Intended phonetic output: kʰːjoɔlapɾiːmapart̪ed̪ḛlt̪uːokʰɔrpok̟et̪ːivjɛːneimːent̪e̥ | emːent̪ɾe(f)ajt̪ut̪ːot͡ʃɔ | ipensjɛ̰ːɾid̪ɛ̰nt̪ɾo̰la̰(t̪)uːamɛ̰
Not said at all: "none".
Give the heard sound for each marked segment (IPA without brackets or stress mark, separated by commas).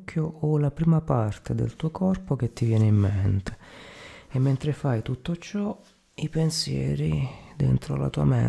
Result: f, t̪